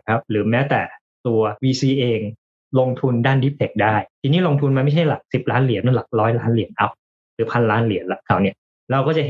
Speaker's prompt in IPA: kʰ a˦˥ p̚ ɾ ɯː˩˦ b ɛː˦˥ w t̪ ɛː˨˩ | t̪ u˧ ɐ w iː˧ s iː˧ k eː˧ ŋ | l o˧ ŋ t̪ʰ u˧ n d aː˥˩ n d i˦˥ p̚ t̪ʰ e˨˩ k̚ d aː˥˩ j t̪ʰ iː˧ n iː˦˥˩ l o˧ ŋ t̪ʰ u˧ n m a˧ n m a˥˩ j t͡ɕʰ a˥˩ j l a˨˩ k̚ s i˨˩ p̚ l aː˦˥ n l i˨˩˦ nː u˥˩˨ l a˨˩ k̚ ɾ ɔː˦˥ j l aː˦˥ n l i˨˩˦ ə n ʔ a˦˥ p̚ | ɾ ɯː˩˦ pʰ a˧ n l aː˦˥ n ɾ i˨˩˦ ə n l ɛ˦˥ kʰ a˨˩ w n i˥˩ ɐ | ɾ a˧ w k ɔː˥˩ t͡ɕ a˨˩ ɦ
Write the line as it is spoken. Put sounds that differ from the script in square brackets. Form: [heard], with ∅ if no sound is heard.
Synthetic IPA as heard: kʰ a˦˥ p̚ ɾ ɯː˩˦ [m] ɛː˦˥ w t̪ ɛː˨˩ | t̪ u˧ ɐ w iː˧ s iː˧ [ʔ] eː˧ ŋ | l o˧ ŋ t̪ʰ u˧ n d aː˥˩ n d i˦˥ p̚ t̪ʰ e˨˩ k̚ d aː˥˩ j t̪ʰ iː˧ n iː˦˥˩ l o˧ ŋ t̪ʰ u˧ n m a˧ n m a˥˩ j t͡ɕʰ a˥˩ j l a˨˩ k̚ s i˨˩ p̚ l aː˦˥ n l i˨˩˦ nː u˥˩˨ l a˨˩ k̚ ɾ ɔː˦˥ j l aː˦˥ n l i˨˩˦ ə n ʔ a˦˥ p̚ | ɾ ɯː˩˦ pʰ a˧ n l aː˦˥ n [l] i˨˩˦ ə n l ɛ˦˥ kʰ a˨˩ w n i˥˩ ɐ | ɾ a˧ w k ɔː˥˩ t͡ɕ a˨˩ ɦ